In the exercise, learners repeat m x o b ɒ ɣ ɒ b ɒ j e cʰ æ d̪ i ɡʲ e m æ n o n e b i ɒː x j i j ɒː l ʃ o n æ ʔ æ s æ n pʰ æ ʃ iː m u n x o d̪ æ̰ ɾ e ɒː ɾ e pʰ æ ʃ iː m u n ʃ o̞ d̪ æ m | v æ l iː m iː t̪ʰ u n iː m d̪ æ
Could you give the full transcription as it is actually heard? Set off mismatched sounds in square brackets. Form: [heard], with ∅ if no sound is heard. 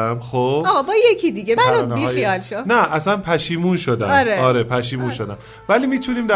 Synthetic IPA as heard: m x o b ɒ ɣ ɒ b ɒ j e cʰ [i] d̪ i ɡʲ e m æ n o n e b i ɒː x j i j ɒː l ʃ o n æ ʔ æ s æ n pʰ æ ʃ iː m u n [ʃ] o d̪ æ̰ ɾ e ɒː ɾ e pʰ æ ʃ iː m u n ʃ o̞ d̪ æ m | v æ l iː m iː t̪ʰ u n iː m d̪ æ